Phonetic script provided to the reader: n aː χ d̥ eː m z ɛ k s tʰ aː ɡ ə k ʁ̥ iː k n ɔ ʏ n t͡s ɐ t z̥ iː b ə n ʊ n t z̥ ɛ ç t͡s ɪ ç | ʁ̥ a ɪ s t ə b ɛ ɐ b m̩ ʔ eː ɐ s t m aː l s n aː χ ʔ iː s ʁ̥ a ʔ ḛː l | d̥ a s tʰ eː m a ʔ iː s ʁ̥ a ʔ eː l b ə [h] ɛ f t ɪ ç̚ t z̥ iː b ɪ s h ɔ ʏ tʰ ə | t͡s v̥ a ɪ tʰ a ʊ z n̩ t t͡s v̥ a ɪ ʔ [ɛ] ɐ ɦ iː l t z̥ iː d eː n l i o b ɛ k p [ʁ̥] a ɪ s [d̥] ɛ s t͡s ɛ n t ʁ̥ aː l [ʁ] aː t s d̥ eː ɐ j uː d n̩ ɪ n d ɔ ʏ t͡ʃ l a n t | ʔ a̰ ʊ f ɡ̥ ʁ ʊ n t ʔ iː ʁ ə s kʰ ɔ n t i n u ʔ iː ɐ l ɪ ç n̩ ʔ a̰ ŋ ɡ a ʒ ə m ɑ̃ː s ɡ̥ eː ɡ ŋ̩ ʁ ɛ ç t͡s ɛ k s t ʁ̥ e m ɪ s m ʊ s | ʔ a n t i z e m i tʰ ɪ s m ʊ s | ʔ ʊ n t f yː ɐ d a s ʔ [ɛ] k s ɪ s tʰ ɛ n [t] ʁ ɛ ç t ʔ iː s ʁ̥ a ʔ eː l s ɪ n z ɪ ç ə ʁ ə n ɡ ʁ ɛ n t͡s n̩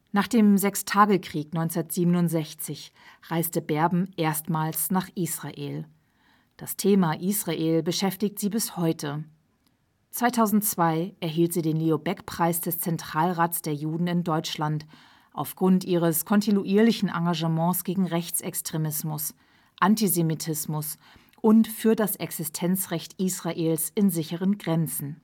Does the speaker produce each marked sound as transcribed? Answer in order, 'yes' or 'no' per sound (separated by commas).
no, yes, yes, yes, yes, yes, no